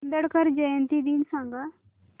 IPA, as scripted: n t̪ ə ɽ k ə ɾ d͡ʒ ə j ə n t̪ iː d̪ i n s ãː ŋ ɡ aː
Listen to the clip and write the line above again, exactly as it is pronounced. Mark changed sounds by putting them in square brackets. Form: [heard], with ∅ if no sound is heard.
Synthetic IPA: n [d̪] ə ɽ k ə ɾ d͡ʒ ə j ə n t̪ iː d̪ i n s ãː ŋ ɡ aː